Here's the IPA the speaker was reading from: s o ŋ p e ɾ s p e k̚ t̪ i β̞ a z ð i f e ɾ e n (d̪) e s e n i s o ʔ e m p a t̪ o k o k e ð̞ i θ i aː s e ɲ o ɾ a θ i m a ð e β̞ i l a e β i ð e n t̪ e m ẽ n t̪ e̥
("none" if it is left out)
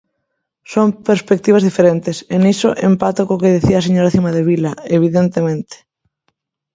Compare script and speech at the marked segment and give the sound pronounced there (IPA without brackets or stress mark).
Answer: t̪